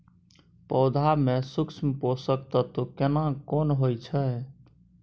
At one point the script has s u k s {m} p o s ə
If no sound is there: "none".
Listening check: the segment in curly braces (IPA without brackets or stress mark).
m